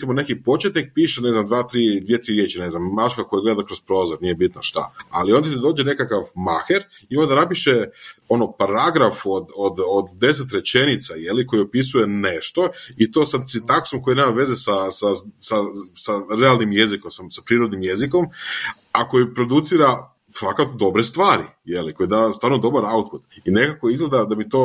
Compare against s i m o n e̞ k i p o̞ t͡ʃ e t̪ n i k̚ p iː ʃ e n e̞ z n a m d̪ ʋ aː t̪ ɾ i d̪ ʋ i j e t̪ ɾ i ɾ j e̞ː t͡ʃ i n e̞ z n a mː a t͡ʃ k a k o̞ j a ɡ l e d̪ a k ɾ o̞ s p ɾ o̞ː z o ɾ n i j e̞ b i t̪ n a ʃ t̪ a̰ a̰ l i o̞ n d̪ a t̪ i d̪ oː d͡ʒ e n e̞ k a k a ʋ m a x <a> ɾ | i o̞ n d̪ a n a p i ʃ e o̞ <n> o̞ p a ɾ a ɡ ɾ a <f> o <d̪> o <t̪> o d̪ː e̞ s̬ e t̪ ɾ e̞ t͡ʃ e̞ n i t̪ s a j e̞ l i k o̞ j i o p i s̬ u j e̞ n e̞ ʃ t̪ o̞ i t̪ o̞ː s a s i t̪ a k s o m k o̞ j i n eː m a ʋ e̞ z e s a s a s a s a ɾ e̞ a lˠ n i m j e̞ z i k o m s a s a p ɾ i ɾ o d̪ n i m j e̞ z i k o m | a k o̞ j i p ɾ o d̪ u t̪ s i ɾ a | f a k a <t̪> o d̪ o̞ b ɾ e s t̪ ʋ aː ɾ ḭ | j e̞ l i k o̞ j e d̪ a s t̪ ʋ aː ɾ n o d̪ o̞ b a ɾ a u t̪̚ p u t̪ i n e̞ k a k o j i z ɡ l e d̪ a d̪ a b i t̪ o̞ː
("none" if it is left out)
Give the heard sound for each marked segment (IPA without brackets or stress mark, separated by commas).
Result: e, n, f, d̪, d̪, t̪